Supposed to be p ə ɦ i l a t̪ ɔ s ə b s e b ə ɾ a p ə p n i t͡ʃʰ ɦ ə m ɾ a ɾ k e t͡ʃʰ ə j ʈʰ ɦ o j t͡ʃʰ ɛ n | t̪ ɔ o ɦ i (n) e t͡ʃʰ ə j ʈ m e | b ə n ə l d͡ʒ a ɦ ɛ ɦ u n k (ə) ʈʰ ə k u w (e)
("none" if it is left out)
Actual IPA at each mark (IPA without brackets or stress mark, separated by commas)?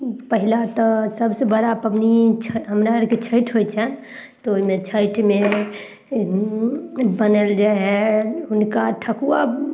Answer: m, a, a